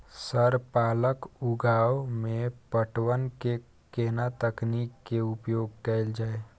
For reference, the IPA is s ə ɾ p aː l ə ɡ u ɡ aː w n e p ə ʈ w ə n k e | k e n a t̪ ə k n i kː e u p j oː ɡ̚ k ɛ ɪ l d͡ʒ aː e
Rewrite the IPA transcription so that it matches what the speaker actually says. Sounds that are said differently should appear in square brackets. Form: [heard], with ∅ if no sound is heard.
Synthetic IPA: s ə ɾ p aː l ə [k] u ɡ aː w [m] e p ə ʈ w ə n k e | k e n a t̪ ə k n i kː e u p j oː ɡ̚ k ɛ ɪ l d͡ʒ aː e